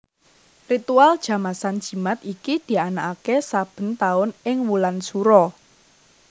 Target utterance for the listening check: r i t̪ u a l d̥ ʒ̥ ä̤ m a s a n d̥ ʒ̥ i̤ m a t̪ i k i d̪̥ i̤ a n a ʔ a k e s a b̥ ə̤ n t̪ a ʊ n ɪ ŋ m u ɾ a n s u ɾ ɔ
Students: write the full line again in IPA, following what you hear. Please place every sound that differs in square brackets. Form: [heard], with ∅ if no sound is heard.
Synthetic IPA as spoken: r i t̪ u a l d̥ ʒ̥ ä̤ m a s a n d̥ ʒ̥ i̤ m a t̪ i k i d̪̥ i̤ a n a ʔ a k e s a b̥ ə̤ n t̪ a ʊ n ɪ ŋ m u [l] a n s u ɾ ɔ